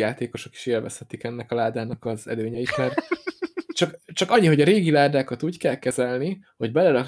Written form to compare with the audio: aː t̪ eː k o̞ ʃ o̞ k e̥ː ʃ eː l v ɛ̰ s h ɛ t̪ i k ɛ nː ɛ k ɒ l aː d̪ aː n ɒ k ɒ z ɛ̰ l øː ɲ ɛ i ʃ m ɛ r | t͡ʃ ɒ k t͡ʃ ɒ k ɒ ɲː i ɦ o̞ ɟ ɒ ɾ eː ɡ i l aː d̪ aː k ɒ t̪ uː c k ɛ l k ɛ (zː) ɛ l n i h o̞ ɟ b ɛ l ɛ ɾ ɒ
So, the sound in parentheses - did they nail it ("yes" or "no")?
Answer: no